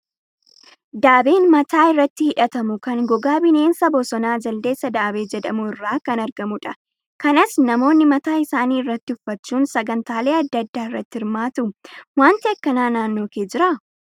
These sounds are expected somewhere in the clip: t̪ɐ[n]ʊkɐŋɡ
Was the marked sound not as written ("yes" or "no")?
yes